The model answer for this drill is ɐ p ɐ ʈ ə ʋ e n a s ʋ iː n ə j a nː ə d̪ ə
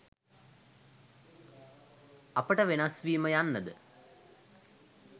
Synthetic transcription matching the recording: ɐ p ə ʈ ə ʋ e n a s ʋ iː m ə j a nː ə d̪ ə

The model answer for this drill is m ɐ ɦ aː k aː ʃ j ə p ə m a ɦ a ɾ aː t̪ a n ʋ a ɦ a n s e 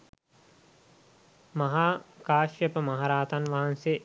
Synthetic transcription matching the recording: m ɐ ɦ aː k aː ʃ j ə p ə m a ɦ a ɾ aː t̪ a n ʋ a ɦ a n s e

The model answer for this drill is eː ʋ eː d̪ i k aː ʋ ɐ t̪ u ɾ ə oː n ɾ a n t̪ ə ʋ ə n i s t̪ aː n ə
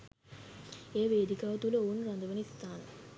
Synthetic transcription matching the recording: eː ʋ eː d̪ i k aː ʋ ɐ t̪ u l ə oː n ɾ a n d̪ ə ʋ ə n i s t̪ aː n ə

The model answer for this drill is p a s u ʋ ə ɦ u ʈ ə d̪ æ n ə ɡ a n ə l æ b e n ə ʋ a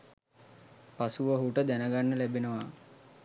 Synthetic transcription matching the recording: p a s u ʋ ə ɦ u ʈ ə d̪ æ n ə ɡ a nː ə l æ b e n ə ʋ a

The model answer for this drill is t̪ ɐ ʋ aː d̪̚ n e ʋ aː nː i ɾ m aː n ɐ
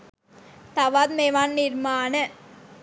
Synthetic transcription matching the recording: t̪ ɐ ʋ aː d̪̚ m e ʋ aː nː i ɾ m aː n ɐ

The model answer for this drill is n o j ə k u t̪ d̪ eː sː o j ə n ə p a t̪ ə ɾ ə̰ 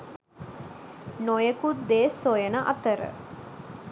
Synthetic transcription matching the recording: n o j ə k u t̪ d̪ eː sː o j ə n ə ʔ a t̪ ə ɾ ə̰

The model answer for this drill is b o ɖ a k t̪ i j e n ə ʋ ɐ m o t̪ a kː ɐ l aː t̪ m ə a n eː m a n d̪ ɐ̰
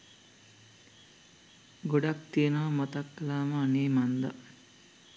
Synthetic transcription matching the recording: ɡ o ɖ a k t̪ i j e n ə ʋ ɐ m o t̪ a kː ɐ l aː m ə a n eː m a n d̪ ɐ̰

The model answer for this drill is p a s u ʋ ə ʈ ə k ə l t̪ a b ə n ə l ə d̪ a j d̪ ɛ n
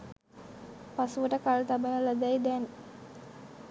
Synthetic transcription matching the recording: p a s u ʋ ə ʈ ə k a l t̪ a b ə n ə l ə d̪ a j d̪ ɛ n

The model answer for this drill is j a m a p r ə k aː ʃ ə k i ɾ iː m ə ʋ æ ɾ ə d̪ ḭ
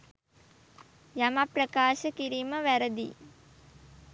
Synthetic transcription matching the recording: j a m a p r ə k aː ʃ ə k i ɾ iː m ə ʋ æ ɾ ə d̪ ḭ

